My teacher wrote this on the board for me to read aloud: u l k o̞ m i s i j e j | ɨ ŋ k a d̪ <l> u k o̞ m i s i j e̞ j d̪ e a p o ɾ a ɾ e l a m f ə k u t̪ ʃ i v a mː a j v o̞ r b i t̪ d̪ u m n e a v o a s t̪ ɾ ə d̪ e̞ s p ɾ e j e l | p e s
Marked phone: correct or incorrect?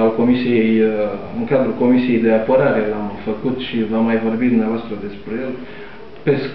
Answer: incorrect: ɾ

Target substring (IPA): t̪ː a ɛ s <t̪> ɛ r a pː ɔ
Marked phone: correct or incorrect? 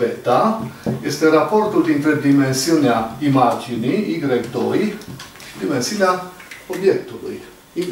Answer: correct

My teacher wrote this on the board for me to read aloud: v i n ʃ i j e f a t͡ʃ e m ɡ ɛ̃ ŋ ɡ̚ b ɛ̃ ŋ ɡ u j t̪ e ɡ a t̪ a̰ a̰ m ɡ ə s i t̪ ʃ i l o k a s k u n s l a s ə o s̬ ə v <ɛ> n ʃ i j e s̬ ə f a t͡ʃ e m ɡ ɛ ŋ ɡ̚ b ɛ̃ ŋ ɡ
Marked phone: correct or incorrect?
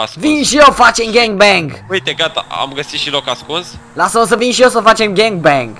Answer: incorrect: i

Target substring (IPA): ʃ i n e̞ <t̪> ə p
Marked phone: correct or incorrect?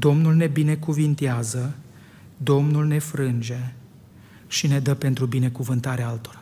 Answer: incorrect: d̪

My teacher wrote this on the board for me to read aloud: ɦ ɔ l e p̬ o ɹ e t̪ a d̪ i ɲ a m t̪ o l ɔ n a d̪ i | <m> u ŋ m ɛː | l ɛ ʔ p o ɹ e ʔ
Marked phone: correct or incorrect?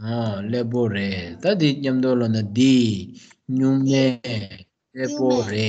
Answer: incorrect: ɲ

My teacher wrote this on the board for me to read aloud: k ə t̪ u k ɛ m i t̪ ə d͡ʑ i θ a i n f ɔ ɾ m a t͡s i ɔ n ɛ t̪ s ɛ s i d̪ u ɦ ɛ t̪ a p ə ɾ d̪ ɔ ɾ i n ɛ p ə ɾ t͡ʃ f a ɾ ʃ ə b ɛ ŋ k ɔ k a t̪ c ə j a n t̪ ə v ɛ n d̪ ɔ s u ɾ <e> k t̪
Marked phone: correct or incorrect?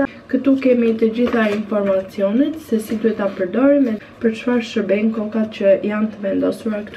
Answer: incorrect: a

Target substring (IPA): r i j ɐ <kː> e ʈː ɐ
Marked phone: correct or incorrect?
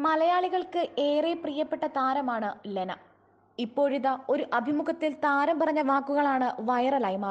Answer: incorrect: pː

